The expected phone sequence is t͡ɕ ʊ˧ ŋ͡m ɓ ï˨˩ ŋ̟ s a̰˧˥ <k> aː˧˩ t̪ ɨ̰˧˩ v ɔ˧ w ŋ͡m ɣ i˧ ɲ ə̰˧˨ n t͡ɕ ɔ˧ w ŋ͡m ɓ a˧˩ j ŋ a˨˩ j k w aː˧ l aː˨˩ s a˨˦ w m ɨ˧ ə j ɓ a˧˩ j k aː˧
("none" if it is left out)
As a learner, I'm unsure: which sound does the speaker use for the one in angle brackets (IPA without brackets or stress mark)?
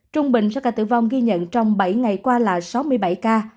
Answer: k